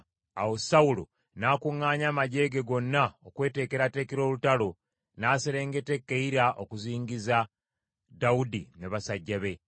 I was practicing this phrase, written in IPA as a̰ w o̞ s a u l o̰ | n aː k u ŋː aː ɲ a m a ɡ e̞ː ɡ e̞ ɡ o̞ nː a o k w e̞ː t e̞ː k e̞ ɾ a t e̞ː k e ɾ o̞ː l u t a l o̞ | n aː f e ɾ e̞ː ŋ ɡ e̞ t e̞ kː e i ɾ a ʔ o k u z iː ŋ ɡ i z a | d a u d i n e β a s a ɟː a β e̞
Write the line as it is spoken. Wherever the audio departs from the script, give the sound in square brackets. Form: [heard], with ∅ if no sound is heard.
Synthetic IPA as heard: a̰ w o̞ s a u l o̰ | n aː k u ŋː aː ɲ a m a [ɟ] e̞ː ɡ e̞ ɡ o̞ nː a o k w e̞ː t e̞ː k e̞ ɾ a t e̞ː k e ɾ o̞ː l u t a l o̞ | n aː [s] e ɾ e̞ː ŋ ɡ e̞ t e̞ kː e i ɾ a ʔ o k u z iː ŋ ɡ i z a | d a u d i n e β a s a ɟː a β e̞

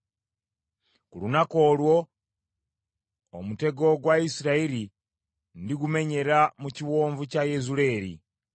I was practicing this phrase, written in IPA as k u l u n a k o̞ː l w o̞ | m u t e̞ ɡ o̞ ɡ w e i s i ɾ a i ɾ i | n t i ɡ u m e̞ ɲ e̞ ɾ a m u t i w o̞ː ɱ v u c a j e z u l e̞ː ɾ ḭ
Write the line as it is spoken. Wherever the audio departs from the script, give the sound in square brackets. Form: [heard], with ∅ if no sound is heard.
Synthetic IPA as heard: k u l u n a k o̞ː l w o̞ | m u t e̞ ɡ o̞ ɡ w [a] i s i ɾ a i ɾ i | n [d] i ɡ u m e̞ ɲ e̞ ɾ a m u [c] i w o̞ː ɱ v u c a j e z u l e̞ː ɾ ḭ

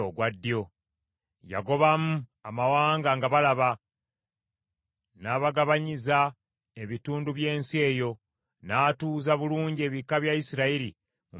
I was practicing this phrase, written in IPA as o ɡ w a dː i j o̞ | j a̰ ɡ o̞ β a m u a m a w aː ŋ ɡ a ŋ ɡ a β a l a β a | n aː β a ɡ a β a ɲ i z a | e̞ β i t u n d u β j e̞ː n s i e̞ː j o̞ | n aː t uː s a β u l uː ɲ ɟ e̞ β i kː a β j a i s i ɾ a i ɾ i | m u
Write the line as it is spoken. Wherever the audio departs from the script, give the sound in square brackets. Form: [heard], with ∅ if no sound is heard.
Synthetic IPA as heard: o ɡ w a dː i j o̞ | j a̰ ɡ o̞ β a m u a m a w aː ŋ ɡ a ŋ ɡ a β a l a β a | n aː β a ɡ a β a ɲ i z a | e̞ β i t [uː] n d u β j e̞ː n s i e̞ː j o̞ | n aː t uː [z] a β u l uː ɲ ɟ e̞ β i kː a β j a i s i ɾ a i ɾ i | m u

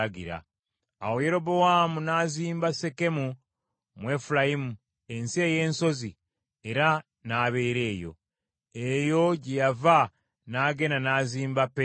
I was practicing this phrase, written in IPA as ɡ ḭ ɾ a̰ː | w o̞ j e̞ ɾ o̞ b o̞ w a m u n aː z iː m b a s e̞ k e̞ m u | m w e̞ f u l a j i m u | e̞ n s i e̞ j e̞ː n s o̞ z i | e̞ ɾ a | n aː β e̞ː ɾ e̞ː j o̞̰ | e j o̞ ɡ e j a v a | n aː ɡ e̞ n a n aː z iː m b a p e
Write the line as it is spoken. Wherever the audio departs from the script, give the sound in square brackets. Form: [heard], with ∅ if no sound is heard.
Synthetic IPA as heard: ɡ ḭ ɾ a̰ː | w o̞ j e̞ ɾ o̞ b o̞ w a m u n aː z iː m b a s e̞ k e̞ m u | m w e̞ f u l a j i m u | e̞ n s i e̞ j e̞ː n s o̞ z i | e̞ ɾ a | n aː β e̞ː ɾ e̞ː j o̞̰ | e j o̞ [ɟ] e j a v a | n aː ɡ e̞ n a n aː z iː m b a p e

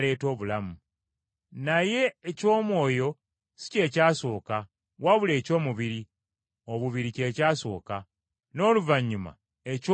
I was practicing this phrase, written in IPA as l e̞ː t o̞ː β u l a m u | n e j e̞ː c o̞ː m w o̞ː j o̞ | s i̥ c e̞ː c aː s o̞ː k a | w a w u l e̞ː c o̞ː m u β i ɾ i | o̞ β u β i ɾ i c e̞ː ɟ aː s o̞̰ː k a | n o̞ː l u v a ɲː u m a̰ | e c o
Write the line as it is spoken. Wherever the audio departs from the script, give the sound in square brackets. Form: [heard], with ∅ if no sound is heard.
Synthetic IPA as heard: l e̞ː t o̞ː β u l a m u | n [a] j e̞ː c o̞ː m w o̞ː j o̞ | s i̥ c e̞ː c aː s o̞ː k a | w a [β] u l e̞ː c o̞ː m u β i ɾ i | o̞ β u β i ɾ i c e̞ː [c] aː s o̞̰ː k a | n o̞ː l u v a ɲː u m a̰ | e c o

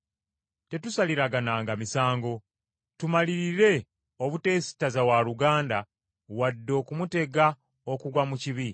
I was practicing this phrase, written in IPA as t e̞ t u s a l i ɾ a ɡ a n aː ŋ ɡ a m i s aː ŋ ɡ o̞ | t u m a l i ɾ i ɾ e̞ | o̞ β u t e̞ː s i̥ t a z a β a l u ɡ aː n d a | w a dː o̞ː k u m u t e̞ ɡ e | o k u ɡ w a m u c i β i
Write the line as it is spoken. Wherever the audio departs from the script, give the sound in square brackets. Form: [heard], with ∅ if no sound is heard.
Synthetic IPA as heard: t e̞ t u s a l i ɾ a ɡ a n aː ŋ ɡ a m i s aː ŋ ɡ o̞ | t u m a l i ɾ i ɾ e̞ | o̞ β u t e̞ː s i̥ t a z a [w] a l u ɡ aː n d a | w a dː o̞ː k u m u t e̞ ɡ [a] | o k u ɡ w a m u c i β i

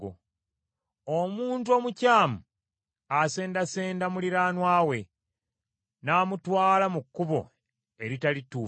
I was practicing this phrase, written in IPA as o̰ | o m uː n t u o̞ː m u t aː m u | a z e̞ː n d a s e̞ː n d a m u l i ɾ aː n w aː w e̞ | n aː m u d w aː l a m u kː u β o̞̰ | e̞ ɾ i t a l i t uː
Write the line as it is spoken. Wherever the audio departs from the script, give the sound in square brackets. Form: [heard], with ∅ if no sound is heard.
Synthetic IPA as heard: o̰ | o m uː n t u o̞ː m u [c] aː m u | a [s] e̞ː n d a s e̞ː n d a m u l i ɾ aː n w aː w e̞ | n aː m u [t] w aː l a m u kː u β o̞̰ | e̞ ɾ i t a l i t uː

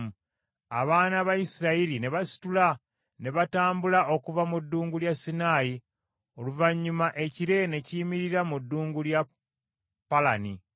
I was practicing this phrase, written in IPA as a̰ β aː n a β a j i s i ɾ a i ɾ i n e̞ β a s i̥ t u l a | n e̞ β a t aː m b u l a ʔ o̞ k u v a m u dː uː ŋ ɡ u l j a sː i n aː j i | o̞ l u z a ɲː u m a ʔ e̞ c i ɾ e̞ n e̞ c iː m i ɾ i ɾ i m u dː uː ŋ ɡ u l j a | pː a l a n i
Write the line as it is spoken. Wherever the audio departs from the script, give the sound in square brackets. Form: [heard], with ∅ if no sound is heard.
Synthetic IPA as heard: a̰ β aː n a β a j i s i ɾ a i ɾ i n e̞ β a s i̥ t u l a | n e̞ β a t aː m b u l a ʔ o̞ k u v a m u dː uː ŋ ɡ u l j a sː i n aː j i | o̞ l u [v] a ɲː u m a ʔ e̞ c i ɾ e̞ n e̞ c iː m i ɾ i ɾ [a] m u dː uː ŋ ɡ u l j a | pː a l a n i

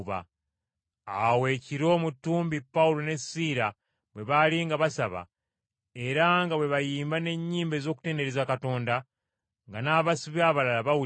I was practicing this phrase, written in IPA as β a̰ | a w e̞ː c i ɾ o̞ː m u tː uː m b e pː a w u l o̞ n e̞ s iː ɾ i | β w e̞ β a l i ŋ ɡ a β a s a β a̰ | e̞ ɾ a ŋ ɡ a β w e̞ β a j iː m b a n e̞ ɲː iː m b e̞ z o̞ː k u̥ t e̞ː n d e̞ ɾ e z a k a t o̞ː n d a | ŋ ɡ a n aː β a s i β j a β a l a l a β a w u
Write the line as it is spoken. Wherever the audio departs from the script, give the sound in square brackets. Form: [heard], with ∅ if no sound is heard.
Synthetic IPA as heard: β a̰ | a w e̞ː c i ɾ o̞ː m u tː uː m b [i] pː a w u l o̞ n e̞ s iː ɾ [a] | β w e̞ β a l i ŋ ɡ a β a s a β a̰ | e̞ ɾ a ŋ ɡ a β w e̞ β a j iː m b a n e̞ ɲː iː m b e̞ z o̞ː k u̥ t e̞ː n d e̞ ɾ e z a k a t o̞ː n d a | ŋ ɡ a n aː β a s i β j a β a l a l a β a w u

